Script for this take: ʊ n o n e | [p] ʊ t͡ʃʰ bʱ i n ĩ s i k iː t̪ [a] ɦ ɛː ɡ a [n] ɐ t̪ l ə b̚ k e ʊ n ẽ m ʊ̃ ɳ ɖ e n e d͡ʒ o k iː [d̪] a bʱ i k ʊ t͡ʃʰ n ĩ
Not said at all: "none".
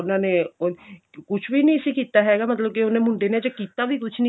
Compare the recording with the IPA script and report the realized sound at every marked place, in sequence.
k, a, m, t̪

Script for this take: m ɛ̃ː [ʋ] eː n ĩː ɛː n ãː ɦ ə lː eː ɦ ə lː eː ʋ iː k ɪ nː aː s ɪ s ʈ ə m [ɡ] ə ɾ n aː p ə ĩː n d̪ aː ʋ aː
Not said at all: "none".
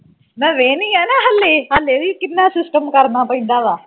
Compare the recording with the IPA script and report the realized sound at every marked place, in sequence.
ʋ, k

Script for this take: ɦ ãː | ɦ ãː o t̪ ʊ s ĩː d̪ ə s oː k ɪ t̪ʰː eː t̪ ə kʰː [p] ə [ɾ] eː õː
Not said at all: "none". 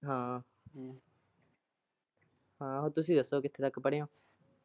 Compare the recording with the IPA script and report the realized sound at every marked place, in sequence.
p, ɽ

